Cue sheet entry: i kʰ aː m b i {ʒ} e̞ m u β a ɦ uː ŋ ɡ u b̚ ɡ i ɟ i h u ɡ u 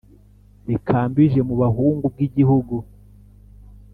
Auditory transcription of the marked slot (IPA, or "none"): ʒ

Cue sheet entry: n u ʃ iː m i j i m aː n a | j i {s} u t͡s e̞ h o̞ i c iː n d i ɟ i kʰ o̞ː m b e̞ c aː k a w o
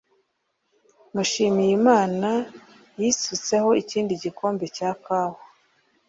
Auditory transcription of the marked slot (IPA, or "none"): s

